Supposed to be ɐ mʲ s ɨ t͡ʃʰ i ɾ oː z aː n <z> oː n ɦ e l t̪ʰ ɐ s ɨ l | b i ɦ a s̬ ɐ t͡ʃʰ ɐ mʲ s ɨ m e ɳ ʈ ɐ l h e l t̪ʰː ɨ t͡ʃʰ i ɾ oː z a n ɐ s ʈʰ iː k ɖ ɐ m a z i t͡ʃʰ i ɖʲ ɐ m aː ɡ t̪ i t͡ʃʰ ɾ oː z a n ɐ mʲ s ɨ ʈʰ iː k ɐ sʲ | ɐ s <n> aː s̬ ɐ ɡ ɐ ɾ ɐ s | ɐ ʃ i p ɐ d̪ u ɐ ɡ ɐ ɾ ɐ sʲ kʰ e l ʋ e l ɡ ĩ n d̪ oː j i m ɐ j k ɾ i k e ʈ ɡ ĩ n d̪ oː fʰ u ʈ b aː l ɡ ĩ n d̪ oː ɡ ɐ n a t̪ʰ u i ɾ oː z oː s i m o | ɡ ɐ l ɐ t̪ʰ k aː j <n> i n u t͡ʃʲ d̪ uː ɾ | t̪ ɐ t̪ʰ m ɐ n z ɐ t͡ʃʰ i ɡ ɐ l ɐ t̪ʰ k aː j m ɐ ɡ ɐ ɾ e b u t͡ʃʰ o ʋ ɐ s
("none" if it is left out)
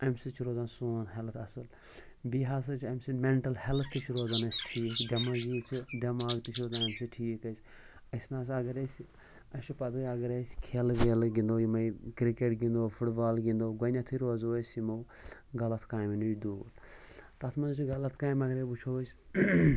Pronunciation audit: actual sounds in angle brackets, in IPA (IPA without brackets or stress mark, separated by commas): s, n, m